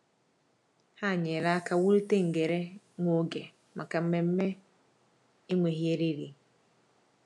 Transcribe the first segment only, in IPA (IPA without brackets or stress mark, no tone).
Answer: h